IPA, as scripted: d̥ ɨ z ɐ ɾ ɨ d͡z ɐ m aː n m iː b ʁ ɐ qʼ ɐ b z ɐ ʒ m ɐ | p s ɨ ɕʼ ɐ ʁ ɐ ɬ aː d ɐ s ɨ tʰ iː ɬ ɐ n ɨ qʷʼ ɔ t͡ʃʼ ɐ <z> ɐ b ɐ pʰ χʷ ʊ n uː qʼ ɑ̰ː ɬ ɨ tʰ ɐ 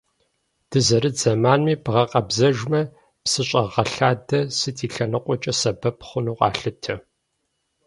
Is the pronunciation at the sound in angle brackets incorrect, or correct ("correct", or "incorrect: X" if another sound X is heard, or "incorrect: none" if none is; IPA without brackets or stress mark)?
incorrect: s